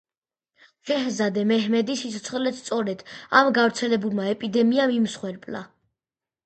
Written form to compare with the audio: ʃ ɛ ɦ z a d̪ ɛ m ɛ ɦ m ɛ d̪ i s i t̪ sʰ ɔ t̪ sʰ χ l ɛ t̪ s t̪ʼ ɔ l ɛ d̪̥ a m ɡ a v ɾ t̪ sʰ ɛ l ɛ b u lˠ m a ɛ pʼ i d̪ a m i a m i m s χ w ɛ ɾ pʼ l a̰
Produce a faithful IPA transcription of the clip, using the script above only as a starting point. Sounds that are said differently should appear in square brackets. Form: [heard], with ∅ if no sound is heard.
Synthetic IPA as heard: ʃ ɛ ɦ z a d̪ ɛ m ɛ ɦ m ɛ d̪ i s i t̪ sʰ ɔ t̪ sʰ χ l ɛ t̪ s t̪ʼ ɔ [ɾ] ɛ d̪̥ a m ɡ a v ɾ t̪ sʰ ɛ l ɛ b u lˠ m a ɛ pʼ i d̪ [ɛ] m i a m i m s χ w ɛ ɾ pʼ l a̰